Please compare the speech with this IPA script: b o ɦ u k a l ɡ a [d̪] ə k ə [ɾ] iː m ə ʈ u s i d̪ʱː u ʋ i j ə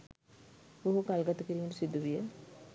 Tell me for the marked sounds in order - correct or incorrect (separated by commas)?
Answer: incorrect, correct